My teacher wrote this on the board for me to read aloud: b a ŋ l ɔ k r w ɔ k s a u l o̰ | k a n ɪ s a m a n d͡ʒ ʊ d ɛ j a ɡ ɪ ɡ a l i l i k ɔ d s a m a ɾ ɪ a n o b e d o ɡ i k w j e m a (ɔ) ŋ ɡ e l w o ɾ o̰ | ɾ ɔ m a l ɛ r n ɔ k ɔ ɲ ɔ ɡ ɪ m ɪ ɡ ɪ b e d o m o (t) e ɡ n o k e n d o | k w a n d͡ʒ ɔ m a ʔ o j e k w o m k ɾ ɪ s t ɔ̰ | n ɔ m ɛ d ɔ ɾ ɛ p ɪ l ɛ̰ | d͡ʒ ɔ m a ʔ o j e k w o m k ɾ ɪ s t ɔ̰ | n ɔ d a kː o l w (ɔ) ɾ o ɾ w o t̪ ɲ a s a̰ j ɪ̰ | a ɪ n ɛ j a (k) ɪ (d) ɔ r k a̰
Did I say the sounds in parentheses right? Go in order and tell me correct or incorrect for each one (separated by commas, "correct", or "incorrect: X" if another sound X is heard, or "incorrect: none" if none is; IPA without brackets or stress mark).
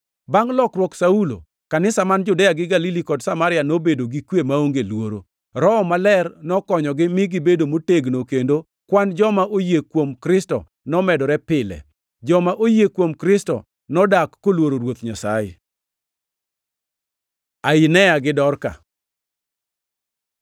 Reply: incorrect: o, correct, incorrect: o, incorrect: ɡ, correct